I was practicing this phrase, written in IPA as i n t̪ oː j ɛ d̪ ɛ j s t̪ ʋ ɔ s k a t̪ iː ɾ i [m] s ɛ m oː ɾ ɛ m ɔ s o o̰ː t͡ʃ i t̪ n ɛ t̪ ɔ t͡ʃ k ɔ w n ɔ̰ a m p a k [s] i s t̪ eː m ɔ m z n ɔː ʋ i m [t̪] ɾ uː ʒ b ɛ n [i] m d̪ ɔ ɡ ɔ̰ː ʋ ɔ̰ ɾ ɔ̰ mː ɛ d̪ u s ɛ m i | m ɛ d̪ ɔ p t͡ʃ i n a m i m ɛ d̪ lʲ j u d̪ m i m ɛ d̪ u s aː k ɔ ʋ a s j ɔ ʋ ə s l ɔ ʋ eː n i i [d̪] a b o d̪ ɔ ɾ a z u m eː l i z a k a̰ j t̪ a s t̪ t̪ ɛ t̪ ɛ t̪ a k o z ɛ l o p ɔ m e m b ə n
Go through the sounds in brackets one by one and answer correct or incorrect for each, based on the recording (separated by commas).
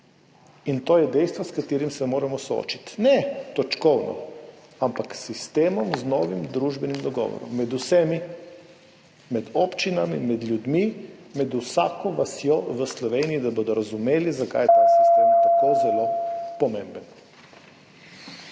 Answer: correct, correct, incorrect, correct, correct